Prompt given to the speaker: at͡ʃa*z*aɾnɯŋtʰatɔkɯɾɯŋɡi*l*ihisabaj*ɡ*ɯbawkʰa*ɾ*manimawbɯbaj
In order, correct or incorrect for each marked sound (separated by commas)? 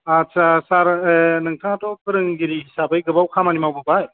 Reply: incorrect, incorrect, correct, incorrect